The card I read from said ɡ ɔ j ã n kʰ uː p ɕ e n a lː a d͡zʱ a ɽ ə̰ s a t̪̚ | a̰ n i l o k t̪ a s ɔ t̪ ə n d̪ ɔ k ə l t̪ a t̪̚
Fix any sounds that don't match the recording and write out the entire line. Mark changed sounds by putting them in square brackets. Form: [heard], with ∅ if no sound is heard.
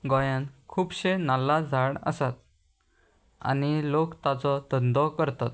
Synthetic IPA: ɡ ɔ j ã n kʰ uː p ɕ e n a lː a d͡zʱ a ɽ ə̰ s a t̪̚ | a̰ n i l o k t̪ a [t͡s] ɔ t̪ ə n d̪ ɔ k ə [ɾ] t̪ a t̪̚